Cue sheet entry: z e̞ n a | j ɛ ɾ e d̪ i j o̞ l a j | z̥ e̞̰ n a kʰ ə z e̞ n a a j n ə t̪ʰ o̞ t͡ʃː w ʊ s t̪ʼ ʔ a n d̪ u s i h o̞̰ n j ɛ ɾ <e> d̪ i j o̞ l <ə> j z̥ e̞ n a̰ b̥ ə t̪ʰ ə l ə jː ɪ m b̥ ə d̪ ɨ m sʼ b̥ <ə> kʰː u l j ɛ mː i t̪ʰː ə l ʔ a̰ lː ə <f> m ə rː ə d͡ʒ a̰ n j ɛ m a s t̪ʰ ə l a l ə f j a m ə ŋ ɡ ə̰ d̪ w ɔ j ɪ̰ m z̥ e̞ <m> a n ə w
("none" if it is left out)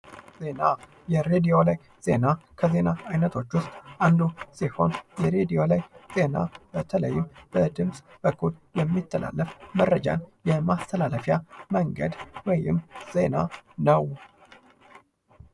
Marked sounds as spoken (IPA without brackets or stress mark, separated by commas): e, a, ə, f, n